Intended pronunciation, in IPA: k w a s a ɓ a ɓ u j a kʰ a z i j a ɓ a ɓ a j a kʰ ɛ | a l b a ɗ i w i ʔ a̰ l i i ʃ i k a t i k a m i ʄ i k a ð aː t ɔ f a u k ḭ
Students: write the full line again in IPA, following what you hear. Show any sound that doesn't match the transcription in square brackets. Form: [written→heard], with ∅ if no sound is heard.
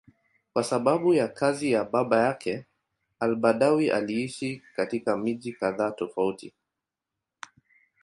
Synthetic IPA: k w a s a ɓ a ɓ u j a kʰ a z i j a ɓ a ɓ a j a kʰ ɛ | a l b a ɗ [i→a] w i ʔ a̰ l i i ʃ i k a t i k a m i ʄ i k a ð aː t ɔ f a u [k→t] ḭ